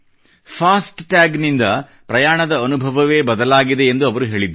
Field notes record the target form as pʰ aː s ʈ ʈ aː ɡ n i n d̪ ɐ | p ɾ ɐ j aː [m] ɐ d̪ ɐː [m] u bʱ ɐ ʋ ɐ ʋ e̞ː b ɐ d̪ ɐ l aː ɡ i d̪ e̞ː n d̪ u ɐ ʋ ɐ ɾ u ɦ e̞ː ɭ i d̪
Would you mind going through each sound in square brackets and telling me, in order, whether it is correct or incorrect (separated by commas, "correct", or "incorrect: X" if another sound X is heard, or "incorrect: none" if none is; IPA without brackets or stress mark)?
incorrect: ɳ, incorrect: n